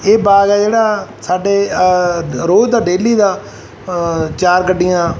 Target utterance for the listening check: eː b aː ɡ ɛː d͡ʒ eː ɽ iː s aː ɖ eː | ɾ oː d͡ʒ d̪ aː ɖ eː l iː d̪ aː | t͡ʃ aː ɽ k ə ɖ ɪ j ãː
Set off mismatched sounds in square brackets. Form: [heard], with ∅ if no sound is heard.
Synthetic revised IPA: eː b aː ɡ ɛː d͡ʒ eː ɽ [aː] s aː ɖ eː | ɾ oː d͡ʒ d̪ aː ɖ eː l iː d̪ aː | t͡ʃ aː [ɾ] k ə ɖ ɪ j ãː